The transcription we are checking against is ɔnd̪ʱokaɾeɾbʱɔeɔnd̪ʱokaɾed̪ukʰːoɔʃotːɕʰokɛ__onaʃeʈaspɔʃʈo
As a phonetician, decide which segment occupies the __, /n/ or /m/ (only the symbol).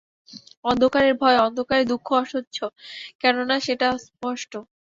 n